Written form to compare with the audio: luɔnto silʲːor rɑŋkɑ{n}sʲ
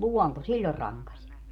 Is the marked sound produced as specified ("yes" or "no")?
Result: no